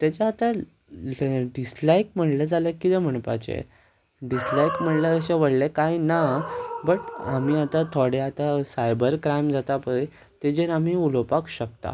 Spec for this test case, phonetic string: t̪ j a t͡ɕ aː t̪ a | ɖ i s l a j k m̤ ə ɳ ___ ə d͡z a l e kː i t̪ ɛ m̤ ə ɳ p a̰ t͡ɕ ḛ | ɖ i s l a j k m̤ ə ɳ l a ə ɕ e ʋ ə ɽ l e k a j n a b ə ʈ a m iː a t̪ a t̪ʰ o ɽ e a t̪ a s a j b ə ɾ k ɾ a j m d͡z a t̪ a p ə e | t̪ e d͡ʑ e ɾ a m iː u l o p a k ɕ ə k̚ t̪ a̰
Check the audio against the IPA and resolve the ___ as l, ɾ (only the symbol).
l